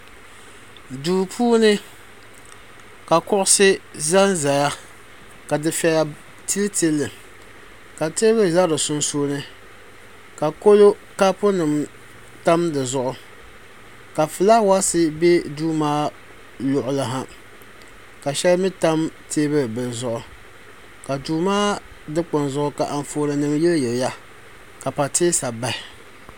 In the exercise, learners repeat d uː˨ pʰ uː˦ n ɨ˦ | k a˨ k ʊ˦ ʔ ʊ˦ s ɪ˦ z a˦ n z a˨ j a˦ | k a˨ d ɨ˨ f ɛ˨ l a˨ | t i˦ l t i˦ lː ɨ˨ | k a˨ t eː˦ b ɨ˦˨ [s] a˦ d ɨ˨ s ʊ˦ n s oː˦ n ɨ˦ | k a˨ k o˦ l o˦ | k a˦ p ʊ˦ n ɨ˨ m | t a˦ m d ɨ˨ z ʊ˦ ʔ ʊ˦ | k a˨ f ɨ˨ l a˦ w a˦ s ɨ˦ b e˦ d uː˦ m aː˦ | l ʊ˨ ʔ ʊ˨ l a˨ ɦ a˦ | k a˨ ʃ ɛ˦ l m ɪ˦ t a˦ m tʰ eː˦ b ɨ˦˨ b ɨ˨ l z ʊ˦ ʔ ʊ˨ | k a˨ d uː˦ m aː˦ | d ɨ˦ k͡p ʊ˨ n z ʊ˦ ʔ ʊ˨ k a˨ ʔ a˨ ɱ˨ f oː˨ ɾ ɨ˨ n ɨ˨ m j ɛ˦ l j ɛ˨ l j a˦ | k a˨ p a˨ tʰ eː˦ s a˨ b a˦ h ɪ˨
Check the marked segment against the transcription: incorrect: z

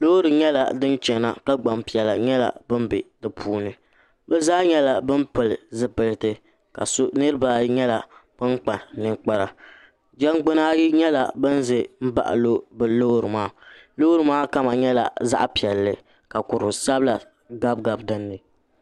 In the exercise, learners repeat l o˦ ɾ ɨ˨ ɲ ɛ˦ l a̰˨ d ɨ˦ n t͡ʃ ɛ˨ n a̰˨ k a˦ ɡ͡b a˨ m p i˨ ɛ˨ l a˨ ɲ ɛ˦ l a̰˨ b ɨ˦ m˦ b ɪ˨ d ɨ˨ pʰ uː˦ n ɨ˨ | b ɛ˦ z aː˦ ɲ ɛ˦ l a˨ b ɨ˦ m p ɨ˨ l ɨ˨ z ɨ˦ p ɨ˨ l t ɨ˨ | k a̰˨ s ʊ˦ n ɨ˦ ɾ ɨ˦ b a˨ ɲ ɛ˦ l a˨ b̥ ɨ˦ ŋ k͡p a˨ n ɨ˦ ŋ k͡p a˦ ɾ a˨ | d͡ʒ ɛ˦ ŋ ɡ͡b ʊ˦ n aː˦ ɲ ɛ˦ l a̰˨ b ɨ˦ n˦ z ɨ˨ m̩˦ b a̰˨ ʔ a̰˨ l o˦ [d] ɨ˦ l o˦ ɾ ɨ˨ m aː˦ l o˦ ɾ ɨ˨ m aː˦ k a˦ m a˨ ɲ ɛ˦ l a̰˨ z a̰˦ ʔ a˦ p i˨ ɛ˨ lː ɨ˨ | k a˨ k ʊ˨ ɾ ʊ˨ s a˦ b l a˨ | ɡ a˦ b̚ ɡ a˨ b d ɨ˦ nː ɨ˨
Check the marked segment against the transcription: incorrect: b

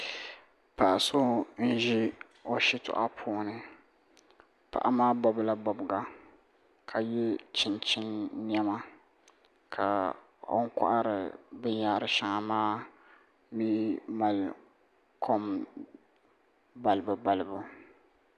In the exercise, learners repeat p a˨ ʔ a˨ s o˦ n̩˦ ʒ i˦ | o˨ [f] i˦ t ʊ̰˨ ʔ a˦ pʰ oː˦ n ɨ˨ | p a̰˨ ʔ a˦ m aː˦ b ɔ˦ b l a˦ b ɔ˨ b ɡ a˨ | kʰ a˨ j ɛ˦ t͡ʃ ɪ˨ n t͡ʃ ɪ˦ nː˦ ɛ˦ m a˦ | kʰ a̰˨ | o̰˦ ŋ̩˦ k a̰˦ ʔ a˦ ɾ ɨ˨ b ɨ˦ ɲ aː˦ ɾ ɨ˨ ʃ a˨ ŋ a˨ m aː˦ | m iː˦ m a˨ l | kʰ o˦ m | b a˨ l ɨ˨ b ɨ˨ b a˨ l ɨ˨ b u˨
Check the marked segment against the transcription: incorrect: ʃ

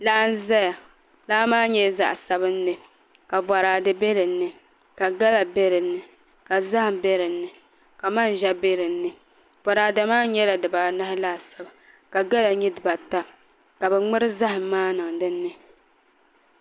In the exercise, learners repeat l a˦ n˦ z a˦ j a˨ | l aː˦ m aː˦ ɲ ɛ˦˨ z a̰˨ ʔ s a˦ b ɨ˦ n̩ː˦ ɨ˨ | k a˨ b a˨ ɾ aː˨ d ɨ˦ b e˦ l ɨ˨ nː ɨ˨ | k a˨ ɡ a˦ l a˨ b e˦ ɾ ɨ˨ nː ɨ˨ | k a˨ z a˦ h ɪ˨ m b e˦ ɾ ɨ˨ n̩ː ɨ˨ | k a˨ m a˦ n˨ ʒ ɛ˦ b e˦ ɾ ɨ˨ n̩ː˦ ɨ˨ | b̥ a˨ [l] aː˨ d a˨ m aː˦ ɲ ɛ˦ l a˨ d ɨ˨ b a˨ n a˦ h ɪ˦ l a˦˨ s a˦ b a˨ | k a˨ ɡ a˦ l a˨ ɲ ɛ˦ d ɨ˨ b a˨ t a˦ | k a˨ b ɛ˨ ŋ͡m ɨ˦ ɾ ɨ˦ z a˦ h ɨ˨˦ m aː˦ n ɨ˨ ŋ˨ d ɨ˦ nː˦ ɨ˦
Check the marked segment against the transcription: incorrect: ɾ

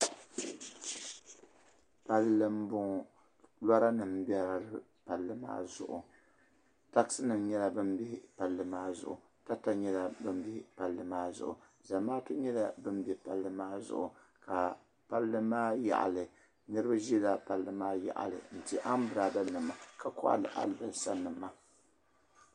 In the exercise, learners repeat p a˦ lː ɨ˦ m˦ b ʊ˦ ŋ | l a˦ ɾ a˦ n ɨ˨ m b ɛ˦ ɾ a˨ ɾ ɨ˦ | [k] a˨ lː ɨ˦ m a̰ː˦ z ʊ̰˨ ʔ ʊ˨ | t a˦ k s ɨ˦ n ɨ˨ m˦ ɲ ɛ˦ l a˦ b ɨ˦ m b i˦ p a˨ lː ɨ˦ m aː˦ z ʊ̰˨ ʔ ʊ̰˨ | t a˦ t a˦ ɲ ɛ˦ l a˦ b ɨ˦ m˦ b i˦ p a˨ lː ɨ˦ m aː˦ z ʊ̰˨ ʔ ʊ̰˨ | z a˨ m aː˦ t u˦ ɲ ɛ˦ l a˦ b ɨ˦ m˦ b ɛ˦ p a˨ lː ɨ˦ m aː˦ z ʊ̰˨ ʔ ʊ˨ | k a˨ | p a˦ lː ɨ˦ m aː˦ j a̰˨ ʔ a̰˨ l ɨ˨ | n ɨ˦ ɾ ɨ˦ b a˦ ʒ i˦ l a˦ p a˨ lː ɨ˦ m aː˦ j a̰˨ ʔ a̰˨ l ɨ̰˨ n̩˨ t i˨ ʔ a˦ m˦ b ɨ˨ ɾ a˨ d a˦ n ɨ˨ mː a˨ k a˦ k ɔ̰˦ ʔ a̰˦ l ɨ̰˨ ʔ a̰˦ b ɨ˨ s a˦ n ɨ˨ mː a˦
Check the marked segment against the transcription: incorrect: p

